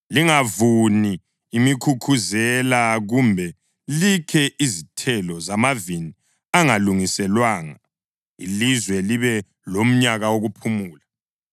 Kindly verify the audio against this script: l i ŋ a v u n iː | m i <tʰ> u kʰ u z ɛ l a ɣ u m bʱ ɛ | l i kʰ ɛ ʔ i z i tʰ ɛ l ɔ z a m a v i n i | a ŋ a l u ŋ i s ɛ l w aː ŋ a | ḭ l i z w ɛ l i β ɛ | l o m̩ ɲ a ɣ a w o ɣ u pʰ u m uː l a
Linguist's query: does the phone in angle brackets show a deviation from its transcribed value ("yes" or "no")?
yes